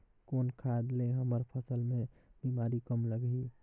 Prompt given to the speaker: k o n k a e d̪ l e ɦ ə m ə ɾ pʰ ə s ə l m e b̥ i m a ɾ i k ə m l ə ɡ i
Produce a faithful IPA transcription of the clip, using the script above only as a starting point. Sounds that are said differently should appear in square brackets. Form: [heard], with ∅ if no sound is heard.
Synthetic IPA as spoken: k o n [kʰ] a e d̪ l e ɦ ə m ə ɾ pʰ ə s ə l m e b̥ i m a ɾ i k ə m l ə ɡ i